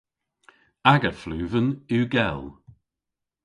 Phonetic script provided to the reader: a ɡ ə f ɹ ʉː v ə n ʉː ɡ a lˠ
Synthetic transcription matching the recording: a ɡ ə f l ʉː v ə n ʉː ɡ ɛ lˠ

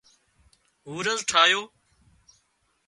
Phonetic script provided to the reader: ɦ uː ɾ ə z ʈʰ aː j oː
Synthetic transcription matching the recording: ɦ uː ɾ ə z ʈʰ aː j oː

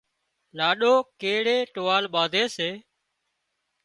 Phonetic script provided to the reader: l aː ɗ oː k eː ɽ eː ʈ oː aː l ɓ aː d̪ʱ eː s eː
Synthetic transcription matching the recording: l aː ɗ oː k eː ɽ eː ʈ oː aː l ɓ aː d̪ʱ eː s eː

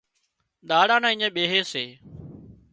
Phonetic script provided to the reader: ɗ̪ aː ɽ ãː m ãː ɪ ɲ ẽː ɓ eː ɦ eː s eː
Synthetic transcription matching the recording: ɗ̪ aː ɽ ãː n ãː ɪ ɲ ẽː ɓ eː ɦ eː s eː

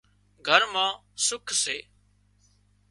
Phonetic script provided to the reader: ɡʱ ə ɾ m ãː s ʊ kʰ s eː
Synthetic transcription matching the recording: ɡʱ ə ɾ m ãː s ʊ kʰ s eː

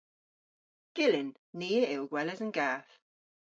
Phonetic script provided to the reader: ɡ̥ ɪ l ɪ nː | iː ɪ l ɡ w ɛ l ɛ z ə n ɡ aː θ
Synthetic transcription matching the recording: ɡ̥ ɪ l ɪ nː | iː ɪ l ɡ w ɛ l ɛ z ə n ɡ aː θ

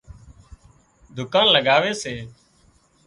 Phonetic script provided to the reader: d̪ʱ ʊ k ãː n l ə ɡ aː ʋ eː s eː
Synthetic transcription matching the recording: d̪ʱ ʊ k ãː n l ə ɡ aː ʋ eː s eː

